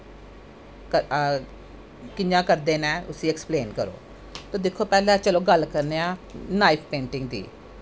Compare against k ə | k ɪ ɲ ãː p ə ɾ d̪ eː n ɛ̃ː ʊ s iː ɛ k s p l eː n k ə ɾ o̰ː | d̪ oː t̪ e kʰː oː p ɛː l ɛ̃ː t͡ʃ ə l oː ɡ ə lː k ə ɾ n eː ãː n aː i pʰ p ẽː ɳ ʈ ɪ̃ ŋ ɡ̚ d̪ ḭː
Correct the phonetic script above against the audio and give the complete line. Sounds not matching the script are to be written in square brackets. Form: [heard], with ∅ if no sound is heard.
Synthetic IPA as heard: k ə | k ɪ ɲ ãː [k] ə ɾ d̪ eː n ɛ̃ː ʊ s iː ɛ k s p l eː n k ə ɾ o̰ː | [t̪] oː [d̪] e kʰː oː p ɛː l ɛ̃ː t͡ʃ ə l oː ɡ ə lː k ə ɾ n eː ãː n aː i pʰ p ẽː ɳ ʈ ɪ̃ ŋ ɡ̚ d̪ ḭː

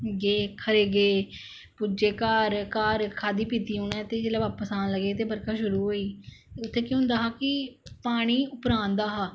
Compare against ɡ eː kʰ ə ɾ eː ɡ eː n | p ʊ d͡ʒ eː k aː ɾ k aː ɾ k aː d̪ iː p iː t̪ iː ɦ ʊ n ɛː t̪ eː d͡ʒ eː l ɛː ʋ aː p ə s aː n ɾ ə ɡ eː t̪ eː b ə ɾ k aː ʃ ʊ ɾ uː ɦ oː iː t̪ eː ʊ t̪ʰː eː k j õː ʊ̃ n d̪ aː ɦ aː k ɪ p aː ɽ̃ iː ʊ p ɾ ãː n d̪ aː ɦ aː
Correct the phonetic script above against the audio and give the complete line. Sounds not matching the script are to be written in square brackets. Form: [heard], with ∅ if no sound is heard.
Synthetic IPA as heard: ɡ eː kʰ ə ɾ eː ɡ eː [∅] | p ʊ d͡ʒ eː k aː ɾ k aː ɾ [kʰ] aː d̪ iː p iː t̪ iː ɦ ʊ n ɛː t̪ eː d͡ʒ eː l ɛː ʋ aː p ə s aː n [l] ə ɡ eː t̪ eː b ə ɾ k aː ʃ ʊ ɾ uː ɦ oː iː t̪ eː ʊ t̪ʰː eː k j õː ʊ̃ n d̪ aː ɦ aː k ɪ p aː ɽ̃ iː ʊ p ɾ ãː n d̪ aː ɦ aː

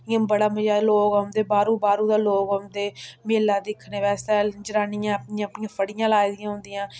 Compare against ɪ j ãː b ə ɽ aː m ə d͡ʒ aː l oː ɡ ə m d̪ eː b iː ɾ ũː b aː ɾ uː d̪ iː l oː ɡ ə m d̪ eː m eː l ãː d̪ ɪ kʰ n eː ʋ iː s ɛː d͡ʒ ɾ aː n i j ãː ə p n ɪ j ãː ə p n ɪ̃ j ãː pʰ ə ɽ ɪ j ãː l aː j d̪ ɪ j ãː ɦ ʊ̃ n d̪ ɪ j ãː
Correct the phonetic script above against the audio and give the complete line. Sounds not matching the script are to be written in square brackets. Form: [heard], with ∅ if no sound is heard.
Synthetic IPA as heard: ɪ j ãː b ə ɽ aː m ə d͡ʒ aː l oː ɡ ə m d̪ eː b [aː] ɾ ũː b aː ɾ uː d̪ [aː] l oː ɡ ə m d̪ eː m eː l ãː d̪ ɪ kʰ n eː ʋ [ɛː] s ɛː d͡ʒ ɾ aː n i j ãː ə p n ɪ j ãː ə p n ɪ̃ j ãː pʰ ə ɽ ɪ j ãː l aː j d̪ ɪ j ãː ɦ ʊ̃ n d̪ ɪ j ãː

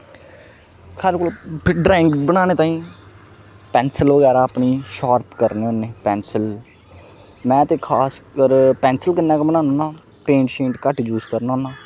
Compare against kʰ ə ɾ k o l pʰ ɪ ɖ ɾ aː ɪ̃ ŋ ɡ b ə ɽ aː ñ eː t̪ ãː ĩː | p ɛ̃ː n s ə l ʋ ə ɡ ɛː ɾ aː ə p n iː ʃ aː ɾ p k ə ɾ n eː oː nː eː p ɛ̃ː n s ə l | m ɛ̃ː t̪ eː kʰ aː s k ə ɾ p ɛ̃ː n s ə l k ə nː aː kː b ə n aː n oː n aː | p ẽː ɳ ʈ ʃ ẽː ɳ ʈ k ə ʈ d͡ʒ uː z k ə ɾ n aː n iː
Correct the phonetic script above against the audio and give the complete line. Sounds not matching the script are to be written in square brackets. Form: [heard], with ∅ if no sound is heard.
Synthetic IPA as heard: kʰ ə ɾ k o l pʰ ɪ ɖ ɾ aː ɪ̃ ŋ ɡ b ə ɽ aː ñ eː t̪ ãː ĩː | p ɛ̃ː n s ə l ʋ ə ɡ ɛː ɾ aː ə p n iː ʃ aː ɾ p k ə ɾ n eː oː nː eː p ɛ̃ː n s ə l | m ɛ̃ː t̪ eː kʰ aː s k ə ɾ p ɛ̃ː n s ə l k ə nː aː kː b ə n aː n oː n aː | p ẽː ɳ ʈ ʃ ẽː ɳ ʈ k ə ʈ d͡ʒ uː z k ə ɾ n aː n [aː]

